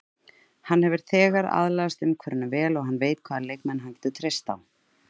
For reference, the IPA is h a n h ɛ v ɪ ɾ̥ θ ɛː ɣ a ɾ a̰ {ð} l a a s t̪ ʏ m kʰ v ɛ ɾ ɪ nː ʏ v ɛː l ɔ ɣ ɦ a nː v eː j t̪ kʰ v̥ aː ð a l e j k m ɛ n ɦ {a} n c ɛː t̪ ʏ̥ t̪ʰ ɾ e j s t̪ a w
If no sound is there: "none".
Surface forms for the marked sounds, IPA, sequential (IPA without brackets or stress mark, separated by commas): ð, a